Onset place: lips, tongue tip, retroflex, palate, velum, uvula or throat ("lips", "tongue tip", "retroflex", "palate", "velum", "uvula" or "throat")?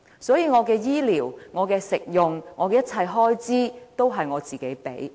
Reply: tongue tip